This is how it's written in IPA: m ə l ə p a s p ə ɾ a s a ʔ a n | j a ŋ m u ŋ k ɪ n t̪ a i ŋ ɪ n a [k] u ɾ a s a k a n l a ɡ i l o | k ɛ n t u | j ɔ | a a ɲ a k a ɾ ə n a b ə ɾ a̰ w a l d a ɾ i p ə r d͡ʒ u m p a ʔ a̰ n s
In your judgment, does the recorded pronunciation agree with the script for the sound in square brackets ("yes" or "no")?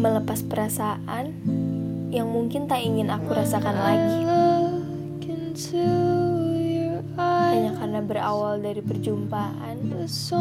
yes